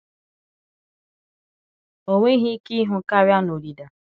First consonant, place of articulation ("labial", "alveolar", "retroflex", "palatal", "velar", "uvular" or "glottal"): velar